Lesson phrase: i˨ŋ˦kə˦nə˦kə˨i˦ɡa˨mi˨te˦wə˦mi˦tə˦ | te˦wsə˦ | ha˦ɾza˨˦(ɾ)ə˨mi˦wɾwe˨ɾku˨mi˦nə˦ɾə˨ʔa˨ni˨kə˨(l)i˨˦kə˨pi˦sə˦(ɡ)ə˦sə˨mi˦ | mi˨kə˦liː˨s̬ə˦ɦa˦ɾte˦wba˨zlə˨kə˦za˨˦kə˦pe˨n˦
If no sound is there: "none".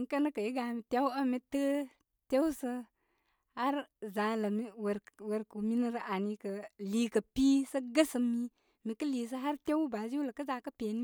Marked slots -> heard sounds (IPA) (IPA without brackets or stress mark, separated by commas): l, l, ɡ